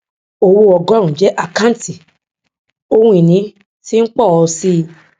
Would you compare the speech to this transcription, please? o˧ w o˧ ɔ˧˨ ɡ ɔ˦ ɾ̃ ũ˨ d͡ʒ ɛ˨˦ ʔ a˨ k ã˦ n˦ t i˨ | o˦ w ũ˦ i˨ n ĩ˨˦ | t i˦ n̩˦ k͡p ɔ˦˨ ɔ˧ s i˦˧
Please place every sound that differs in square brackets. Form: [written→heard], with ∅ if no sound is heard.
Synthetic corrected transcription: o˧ w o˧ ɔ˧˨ ɡ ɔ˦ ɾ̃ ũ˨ d͡ʒ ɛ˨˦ ʔ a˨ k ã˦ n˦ t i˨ | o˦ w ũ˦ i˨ n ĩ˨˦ | t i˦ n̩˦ k͡p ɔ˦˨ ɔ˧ s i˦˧